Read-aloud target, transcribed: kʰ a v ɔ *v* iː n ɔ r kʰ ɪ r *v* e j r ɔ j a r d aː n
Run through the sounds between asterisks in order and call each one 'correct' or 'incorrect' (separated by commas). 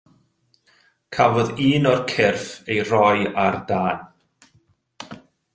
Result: incorrect, incorrect